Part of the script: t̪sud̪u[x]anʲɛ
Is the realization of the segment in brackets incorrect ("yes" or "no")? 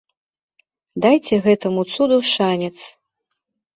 yes